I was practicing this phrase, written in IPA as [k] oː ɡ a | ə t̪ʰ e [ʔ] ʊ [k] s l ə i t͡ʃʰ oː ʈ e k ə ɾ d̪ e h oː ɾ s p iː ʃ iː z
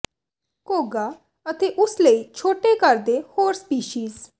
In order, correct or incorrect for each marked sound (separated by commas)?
correct, correct, incorrect